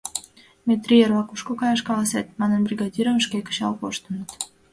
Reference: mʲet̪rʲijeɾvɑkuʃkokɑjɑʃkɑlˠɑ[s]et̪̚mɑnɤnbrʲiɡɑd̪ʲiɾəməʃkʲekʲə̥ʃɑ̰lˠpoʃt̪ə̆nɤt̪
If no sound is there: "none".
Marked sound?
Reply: s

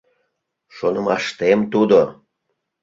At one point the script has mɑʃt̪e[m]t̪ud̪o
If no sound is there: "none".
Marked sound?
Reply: m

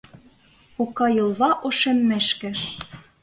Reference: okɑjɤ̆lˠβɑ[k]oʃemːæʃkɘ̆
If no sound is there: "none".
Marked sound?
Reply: ʔ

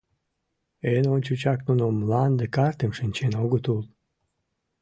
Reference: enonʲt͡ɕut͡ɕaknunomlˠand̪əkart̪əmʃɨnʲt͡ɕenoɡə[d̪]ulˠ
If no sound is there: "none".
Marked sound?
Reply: t̪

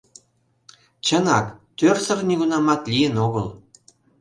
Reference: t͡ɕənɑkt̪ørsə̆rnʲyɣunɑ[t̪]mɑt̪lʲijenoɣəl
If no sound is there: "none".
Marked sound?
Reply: none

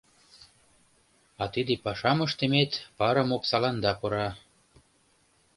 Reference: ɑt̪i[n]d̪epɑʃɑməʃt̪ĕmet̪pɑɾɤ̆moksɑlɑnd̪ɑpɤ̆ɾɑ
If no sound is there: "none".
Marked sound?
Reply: none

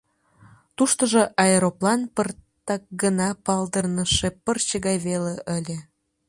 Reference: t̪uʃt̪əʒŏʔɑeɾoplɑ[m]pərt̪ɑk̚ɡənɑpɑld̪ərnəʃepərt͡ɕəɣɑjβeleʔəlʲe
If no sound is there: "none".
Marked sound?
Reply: n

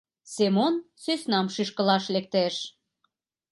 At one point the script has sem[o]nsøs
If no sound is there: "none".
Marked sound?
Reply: o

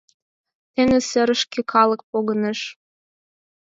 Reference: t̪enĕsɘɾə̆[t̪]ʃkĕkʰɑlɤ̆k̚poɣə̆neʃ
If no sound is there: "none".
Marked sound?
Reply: none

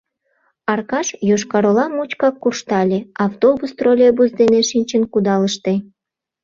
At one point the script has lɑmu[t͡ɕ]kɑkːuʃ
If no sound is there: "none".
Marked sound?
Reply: t͡ɕ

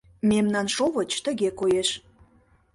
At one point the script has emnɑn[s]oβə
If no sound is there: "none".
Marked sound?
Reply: ʃ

